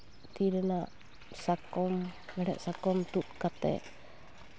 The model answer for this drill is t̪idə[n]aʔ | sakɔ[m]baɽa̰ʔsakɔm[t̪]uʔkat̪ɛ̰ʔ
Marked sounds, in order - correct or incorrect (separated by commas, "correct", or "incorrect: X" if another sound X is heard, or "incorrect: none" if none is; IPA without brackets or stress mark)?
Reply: correct, correct, correct